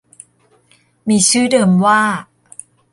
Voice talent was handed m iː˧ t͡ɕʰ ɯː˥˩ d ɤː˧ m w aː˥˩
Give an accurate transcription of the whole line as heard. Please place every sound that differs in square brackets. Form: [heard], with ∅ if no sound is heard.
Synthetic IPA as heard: m iː˧ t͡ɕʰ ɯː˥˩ d ɤː˧ m w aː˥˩